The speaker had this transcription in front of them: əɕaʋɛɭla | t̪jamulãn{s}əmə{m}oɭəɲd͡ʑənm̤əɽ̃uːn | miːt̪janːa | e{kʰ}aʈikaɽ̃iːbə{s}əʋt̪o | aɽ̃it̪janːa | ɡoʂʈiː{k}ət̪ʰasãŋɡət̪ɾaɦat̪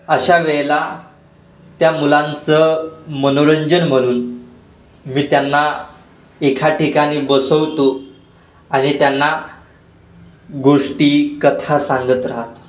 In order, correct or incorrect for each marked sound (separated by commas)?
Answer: incorrect, incorrect, correct, correct, correct